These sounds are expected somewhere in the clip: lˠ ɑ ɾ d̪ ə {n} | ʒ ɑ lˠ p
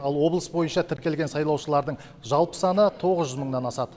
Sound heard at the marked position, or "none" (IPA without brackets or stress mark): ɴ